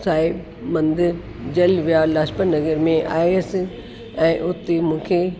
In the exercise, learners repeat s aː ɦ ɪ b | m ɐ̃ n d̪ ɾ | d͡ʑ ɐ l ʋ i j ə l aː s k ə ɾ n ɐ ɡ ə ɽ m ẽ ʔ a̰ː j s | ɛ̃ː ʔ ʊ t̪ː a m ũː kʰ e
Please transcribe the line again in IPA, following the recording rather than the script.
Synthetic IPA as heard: s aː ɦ ɪ b | m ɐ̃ n d̪ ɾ | d͡ʑ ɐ l ʋ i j a l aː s p ə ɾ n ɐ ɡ ə ɾ m ẽ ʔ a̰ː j s | ɛ̃ː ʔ ʊ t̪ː e m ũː kʰ e

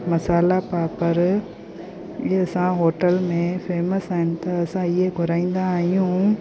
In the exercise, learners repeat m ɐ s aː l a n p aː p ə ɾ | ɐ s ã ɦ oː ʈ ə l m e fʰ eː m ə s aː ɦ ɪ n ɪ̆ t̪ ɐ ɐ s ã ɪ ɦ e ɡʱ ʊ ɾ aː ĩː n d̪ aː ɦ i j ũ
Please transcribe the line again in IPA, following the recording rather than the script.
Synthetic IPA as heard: m ɐ s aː l a p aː p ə ɾ | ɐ s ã ɦ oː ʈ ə l m ẽ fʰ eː m ə s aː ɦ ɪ n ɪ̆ t̪ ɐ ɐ s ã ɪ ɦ e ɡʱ ʊ ɾ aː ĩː n d̪ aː ɦ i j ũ

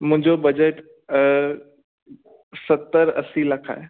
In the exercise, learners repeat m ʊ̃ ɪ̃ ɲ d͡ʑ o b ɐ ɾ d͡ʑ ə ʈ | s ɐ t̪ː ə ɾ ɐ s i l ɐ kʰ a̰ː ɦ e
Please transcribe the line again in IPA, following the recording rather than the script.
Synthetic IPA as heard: m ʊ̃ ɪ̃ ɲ d͡ʑ o b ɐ d͡ʑ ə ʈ | s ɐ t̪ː ə ɾ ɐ s i l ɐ kʰ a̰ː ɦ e

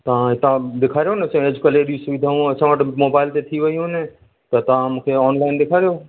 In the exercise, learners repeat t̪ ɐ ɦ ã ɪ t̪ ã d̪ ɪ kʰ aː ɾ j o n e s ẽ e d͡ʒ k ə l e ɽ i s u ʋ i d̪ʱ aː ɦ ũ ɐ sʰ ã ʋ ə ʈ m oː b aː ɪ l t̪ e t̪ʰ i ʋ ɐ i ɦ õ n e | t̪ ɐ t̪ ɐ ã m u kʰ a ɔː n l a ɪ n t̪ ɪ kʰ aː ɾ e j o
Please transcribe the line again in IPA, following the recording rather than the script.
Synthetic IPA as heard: t̪ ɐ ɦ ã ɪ t̪ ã d̪ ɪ kʰ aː ɾ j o n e s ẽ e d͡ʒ k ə l e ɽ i s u ʋ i d̪ʱ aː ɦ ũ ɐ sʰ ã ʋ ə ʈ m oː b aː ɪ l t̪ e t̪ʰ i ʋ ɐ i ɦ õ n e | t̪ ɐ t̪ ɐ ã m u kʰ e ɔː n l a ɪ n d̪ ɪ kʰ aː ɾ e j o

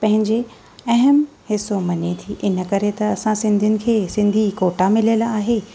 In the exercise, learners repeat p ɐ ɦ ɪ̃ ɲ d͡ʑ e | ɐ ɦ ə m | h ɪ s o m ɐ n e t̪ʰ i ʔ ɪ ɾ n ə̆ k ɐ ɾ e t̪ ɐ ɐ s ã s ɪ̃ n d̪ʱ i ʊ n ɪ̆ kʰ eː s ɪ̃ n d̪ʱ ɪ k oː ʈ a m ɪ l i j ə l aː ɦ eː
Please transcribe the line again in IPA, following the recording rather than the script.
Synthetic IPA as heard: p ɐ̃ ɦ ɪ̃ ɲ d͡ʑ e | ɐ ɦ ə m | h ɪ s o m ɐ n e t̪ʰ i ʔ ɪ n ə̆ k ɐ ɾ e t̪ ɐ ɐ s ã s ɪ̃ n d̪ʱ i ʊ n ɪ̆ kʰ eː s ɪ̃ n d̪ʱ i k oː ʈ a m ɪ l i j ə l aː ɦ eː

